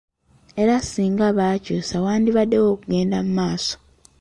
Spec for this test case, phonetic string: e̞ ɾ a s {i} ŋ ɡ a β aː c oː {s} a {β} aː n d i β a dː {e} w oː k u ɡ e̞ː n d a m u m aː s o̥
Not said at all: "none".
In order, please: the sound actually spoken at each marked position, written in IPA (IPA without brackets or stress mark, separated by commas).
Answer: iː, s, w, e